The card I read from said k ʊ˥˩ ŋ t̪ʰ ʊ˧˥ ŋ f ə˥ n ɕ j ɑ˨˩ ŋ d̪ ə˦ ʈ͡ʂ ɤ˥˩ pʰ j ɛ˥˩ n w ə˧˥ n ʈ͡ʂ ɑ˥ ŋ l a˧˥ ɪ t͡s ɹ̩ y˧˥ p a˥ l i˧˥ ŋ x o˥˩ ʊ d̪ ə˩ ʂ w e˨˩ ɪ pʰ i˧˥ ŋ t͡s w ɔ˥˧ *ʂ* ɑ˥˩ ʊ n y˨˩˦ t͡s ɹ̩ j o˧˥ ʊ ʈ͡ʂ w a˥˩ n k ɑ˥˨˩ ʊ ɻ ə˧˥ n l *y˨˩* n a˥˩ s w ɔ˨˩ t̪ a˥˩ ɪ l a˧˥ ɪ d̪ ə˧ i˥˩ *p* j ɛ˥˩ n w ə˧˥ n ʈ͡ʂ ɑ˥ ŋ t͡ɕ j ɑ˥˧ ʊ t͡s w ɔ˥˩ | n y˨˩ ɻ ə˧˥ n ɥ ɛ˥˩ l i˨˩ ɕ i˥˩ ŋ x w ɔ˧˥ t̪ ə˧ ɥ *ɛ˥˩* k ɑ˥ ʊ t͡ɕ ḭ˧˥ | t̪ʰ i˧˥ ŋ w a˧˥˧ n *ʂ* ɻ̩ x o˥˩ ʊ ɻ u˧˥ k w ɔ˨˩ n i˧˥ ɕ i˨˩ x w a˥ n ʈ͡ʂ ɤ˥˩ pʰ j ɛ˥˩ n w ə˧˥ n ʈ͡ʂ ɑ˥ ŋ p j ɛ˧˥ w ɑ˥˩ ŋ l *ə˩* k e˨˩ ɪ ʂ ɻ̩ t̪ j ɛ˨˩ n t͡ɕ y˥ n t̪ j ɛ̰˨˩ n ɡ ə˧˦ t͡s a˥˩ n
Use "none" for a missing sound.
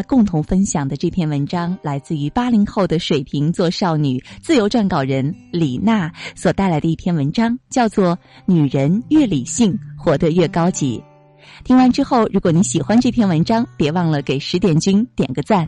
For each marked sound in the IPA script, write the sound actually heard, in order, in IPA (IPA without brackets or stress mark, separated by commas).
ʂ, i˨˩, pʰ, ɛ˥˩, ʈ͡ʂ, ə˩